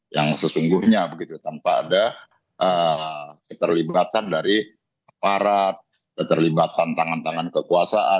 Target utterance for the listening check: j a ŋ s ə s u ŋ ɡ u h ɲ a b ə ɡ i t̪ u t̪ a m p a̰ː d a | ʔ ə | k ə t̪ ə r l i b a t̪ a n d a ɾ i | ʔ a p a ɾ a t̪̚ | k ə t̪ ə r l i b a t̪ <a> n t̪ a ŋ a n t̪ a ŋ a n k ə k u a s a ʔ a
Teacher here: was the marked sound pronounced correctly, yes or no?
yes